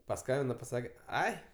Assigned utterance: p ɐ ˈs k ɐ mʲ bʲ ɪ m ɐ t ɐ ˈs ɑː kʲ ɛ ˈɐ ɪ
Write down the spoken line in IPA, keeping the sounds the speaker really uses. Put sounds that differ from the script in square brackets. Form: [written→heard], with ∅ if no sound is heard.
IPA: p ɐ ˈs k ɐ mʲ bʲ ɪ [m→n] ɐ [t→p] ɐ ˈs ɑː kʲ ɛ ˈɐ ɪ